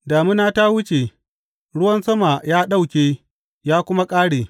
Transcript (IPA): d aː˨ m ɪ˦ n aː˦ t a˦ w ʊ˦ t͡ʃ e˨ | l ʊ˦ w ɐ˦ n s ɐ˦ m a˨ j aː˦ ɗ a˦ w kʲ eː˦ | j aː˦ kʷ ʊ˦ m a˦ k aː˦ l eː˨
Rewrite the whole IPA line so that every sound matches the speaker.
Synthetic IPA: d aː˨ m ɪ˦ n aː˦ t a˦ w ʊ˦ t͡ʃ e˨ | ɽ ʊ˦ w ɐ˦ n s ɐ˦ m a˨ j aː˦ ɗ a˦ w kʲ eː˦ | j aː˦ kʷ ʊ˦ m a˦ kʼ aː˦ ɽ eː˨